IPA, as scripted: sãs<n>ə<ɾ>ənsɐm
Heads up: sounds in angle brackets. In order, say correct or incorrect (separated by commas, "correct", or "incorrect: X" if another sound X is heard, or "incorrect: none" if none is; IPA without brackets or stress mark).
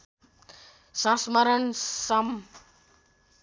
incorrect: m, correct